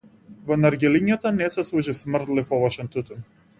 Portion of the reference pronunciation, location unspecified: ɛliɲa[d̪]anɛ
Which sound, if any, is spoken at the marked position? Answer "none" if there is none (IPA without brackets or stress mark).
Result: t̪